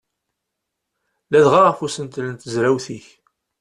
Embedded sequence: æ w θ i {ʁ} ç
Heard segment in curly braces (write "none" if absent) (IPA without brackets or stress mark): none